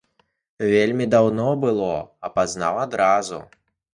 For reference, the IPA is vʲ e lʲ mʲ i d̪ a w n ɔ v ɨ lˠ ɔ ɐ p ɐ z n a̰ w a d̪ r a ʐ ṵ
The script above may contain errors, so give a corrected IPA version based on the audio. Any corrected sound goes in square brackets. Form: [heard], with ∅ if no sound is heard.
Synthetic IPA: vʲ e lʲ mʲ i d̪ a w n ɔ [b] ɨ lˠ ɔ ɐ p [a] z n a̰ w a d̪ [ɾ] a [z] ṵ